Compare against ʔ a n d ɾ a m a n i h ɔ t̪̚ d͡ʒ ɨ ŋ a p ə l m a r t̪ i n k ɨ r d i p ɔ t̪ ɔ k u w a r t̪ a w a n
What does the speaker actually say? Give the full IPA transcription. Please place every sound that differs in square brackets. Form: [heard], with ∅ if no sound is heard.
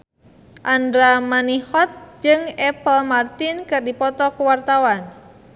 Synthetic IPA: ʔ a n d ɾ a m a n i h ɔ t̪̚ d͡ʒ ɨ ŋ [ɛ] p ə l m a r t̪ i n k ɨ r d i p ɔ t̪ ɔ k u w a r t̪ a w a n